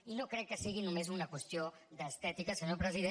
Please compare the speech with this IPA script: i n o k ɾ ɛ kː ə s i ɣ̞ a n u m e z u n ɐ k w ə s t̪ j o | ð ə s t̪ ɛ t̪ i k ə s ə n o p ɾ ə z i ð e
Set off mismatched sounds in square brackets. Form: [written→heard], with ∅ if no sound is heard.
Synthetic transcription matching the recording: i n o k ɾ ɛ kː ə s i ɣ̞ [a→i] n u m e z u n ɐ k w ə s t̪ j o | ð ə s t̪ ɛ t̪ i k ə s ə [n→ɲ] o p ɾ ə z i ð e